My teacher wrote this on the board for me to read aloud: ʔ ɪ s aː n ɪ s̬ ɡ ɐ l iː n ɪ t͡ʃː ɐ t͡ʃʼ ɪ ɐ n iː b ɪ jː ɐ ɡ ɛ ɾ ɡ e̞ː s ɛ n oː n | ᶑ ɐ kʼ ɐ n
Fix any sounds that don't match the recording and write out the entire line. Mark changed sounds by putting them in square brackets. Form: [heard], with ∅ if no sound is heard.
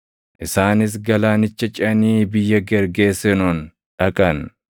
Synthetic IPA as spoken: ʔ ɪ s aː n ɪ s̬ ɡ ɐ l [aː] n ɪ t͡ʃː ɐ t͡ʃʼ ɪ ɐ n iː b ɪ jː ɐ ɡ ɛ ɾ ɡ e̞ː s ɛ n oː n | ᶑ ɐ kʼ ɐ n